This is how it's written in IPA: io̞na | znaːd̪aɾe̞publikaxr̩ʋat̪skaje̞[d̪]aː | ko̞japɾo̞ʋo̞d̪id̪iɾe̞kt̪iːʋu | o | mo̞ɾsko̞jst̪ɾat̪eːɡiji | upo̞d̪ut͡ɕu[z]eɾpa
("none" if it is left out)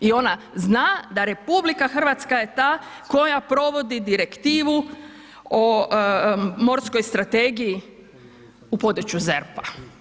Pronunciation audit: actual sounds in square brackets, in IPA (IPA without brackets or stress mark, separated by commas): t̪, z